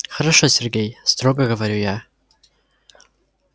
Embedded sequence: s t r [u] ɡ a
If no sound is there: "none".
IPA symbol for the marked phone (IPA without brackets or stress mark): o